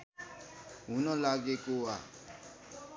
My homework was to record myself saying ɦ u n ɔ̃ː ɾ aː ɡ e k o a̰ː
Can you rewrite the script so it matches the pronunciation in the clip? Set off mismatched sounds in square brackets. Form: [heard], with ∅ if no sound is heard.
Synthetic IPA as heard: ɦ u n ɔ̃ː [l] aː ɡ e k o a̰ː